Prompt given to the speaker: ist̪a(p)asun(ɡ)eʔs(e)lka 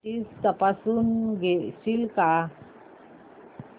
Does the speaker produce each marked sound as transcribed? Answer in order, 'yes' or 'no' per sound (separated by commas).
yes, yes, no